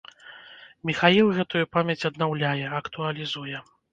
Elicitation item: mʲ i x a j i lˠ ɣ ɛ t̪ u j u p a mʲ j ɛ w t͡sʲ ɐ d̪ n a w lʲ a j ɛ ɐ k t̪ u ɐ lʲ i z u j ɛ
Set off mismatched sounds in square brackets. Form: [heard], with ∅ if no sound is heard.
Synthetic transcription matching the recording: mʲ i x a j i lˠ ɣ ɛ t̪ u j u p a mʲ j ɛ [∅] t͡sʲ ɐ d̪ n a w lʲ a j ɛ ɐ k t̪ u ɐ lʲ i z u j ɛ